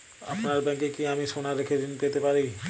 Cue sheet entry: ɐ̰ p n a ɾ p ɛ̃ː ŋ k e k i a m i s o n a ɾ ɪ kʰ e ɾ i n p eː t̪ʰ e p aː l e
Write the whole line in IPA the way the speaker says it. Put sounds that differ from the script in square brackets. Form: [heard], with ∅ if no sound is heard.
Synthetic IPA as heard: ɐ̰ p n a ɾ [b] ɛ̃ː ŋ k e k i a m i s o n a ɾ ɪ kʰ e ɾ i n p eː [t̪] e p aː [ɾ] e